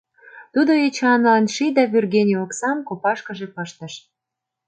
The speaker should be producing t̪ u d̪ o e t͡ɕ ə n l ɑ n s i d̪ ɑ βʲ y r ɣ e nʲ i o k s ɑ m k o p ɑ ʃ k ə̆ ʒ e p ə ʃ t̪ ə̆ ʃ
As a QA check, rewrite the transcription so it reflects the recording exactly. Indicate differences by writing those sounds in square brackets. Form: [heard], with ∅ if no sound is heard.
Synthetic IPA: t̪ u d̪ o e t͡ɕ [ɑ] n l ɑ n [ʃ] i d̪ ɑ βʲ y r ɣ e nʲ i o k s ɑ m k o p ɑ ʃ k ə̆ ʒ e p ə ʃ t̪ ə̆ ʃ